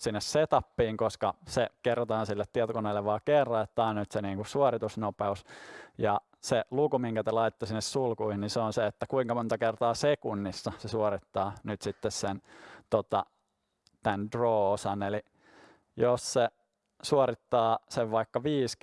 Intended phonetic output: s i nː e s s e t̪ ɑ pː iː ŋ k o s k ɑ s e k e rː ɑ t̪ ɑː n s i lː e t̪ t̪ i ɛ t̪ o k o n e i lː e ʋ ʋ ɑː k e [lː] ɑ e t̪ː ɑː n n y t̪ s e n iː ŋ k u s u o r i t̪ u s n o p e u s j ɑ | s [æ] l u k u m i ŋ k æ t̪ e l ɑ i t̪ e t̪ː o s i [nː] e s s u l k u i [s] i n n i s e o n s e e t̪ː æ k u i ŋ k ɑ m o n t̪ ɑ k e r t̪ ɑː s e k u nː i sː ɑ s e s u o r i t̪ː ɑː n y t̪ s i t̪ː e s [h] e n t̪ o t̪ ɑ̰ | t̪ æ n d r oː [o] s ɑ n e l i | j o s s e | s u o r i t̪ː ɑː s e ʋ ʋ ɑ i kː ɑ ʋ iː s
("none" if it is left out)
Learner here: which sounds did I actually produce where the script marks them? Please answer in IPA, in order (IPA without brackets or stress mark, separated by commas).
rː, e, nː, h, s, o